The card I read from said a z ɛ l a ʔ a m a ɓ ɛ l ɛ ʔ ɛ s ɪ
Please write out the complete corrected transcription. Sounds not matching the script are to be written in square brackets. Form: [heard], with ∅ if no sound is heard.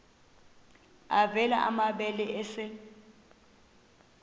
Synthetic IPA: a [v] ɛ l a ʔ a m a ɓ ɛ l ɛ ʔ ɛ s ɪ